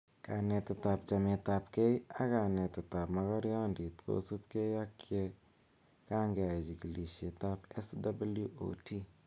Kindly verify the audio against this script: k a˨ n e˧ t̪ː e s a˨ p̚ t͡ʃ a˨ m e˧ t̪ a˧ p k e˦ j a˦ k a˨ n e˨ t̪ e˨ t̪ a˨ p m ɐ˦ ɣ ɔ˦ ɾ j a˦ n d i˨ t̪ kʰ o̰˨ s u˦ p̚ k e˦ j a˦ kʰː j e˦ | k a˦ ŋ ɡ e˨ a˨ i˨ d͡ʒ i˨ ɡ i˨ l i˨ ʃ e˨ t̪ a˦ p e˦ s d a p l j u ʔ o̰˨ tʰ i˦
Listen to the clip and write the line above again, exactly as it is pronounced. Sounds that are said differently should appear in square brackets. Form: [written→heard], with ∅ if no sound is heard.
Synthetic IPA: k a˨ n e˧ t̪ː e [s→t] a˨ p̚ t͡ʃ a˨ m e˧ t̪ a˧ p k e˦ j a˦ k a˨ n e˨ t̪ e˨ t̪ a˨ p m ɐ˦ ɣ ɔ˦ ɾ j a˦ n d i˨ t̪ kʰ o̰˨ s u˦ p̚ k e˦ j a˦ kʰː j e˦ | k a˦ ŋ ɡ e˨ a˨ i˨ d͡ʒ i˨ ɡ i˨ l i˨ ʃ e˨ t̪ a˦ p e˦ s d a [p→b] l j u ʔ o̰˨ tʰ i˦